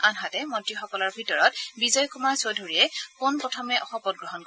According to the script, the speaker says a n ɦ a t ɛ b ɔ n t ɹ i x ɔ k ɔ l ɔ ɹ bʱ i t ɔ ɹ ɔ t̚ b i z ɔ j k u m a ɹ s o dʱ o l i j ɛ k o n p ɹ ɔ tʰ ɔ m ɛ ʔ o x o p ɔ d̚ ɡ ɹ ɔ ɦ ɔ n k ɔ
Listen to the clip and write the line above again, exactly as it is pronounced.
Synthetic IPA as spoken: a n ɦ a t ɛ m ɔ n t ɹ i x ɔ k ɔ l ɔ ɹ bʱ i t ɔ ɹ ɔ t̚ b i z ɔ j k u m a ɹ s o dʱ o ɹ i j ɛ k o n p ɹ ɔ tʰ ɔ m ɛ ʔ ɔ x ɔ p ɔ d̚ ɡ ɹ ɔ ɦ ɔ n k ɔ